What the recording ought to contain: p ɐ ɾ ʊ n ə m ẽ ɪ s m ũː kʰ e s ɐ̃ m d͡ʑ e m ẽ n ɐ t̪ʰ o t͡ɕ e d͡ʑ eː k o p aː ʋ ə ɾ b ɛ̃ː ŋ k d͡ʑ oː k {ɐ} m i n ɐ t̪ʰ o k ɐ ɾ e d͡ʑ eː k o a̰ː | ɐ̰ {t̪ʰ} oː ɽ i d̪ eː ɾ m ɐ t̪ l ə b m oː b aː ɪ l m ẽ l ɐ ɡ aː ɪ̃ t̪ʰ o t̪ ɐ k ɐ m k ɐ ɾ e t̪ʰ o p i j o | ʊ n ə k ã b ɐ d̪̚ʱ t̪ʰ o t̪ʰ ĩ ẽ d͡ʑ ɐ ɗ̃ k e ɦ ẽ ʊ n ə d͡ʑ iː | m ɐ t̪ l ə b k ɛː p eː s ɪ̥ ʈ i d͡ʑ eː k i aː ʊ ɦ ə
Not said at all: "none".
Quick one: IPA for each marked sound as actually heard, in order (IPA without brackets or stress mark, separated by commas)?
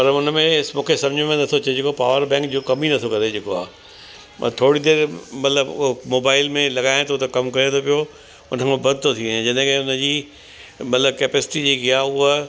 ɐ, t̪ʰ